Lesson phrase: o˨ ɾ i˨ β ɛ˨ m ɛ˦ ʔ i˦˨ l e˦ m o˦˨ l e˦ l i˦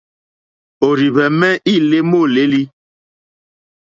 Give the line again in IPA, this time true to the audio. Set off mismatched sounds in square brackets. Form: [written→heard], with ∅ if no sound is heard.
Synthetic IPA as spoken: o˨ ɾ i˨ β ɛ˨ m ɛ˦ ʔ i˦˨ l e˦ m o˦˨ l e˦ l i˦